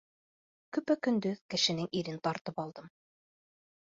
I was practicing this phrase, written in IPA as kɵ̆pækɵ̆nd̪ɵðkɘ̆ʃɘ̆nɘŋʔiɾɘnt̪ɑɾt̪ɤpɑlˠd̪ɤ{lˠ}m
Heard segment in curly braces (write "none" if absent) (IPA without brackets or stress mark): none